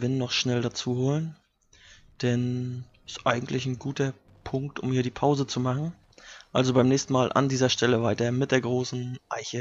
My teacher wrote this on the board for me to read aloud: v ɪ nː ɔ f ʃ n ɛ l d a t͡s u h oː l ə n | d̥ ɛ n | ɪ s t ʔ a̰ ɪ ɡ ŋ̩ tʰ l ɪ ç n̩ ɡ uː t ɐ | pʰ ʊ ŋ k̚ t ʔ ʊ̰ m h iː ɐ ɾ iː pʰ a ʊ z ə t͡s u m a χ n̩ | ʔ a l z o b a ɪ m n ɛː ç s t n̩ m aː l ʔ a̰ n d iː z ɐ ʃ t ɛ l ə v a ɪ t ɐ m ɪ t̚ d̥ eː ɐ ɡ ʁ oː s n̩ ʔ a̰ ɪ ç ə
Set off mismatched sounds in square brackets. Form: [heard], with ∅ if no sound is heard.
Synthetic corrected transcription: v ɪ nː ɔ [χ] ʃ n ɛ l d a t͡s [uː] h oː l ə n | d̥ ɛ n | ɪ s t ʔ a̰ ɪ ɡ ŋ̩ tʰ l ɪ ç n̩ ɡ uː t ɐ | pʰ ʊ ŋ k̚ t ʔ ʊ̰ m h iː ɐ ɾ iː pʰ a ʊ z ə t͡s u m a χ n̩ | ʔ a l z o b a ɪ m n ɛː ç s t n̩ m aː l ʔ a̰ n d iː z ɐ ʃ t ɛ l ə v a ɪ t ɐ m ɪ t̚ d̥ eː ɐ ɡ ʁ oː s n̩ ʔ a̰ ɪ ç ə

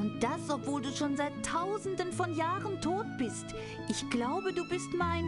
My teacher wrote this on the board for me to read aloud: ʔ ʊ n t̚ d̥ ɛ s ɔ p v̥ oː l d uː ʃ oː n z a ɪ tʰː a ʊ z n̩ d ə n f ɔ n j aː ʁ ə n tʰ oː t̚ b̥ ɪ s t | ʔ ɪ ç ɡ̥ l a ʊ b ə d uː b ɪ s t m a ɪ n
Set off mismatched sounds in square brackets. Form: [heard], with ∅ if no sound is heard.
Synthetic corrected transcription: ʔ ʊ n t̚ d̥ [a] s ɔ p v̥ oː l d uː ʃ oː n z a ɪ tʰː a ʊ z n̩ d ə n f ɔ n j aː ʁ ə n tʰ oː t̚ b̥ ɪ s t | ʔ ɪ ç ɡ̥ l a ʊ b ə d uː b ɪ s t m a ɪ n

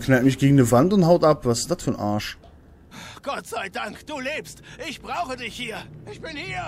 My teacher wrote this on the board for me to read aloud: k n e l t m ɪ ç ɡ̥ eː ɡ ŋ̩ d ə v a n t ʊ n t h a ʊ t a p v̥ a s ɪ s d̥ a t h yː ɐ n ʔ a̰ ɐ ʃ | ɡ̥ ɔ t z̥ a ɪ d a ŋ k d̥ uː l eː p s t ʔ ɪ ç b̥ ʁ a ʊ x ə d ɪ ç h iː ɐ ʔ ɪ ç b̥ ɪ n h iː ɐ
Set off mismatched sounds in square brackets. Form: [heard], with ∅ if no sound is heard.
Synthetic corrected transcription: k n [a] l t m ɪ ç ɡ̥ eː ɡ ŋ̩ d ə v a n t ʊ n t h a ʊ t a p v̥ a s ɪ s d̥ a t [f] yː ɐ n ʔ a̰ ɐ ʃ | ɡ̥ ɔ t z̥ a ɪ d a ŋ k d̥ uː l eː p s t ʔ ɪ ç b̥ ʁ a ʊ x ə d ɪ ç h iː ɐ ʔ ɪ ç b̥ ɪ n h iː ɐ

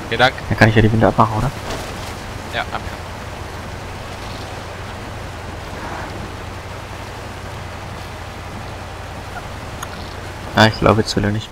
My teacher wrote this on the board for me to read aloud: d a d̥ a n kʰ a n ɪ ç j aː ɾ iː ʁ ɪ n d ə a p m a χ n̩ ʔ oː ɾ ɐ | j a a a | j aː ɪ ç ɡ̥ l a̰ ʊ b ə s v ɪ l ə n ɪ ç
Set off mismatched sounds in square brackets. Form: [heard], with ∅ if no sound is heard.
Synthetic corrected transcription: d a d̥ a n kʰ a n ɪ ç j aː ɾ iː [v] ɪ n d ə a p m a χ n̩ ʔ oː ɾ ɐ | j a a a | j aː ɪ ç ɡ̥ l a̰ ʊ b ə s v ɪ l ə n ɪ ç

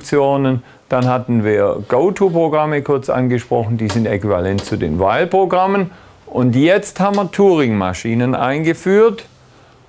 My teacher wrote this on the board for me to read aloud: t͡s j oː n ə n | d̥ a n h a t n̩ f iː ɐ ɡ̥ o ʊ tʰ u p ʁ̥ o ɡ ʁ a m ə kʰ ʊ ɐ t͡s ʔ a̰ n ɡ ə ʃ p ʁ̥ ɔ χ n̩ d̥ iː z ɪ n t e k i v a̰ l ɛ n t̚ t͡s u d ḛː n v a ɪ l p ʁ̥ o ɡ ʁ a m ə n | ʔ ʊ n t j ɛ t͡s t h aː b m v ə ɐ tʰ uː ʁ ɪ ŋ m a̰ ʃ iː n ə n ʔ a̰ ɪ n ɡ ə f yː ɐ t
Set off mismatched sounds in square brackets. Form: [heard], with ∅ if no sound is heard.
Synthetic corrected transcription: t͡s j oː n ə n | d̥ a n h a t n̩ [v] iː ɐ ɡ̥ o ʊ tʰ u p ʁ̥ o ɡ ʁ a m ə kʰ ʊ ɐ t͡s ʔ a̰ n ɡ ə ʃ p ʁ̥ ɔ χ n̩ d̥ iː z ɪ n t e k i v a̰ l ɛ n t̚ t͡s u d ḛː n v a ɪ l p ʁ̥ o ɡ ʁ a m ə n | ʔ ʊ n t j ɛ t͡s t h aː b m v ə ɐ tʰ uː ʁ ɪ ŋ m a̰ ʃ iː n ə n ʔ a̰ ɪ n ɡ ə f yː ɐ t

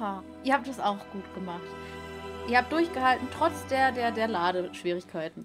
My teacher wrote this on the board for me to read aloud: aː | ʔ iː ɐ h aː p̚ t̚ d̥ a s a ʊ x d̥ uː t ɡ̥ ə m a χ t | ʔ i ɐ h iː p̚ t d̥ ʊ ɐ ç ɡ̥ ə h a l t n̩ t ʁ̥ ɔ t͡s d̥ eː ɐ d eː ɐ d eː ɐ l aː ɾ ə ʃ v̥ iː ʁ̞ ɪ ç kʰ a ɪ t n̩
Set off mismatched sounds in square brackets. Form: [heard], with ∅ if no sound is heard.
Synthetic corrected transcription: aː | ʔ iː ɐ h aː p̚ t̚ d̥ a s a ʊ x [ɡ̥] uː t ɡ̥ ə m a χ t | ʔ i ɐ h [aː] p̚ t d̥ ʊ ɐ ç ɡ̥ ə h a l t n̩ t ʁ̥ ɔ t͡s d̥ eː ɐ d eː ɐ d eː ɐ l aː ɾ ə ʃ v̥ iː ʁ̞ ɪ ç kʰ a ɪ t n̩

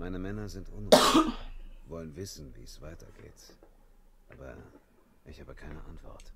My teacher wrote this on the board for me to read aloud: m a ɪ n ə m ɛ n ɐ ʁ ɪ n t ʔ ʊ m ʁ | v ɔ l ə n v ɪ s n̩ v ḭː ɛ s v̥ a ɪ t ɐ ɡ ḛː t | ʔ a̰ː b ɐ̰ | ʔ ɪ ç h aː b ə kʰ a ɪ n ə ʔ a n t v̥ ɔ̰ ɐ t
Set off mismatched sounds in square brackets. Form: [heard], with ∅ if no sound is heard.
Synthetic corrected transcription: m a ɪ n ə m ɛ n ɐ [z] ɪ n t ʔ ʊ [n] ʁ | v ɔ l ə n v ɪ s n̩ v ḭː ɛ s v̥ a ɪ t ɐ ɡ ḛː t | ʔ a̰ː b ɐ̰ | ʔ ɪ ç h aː b ə kʰ a ɪ n ə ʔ a n t v̥ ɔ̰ ɐ t

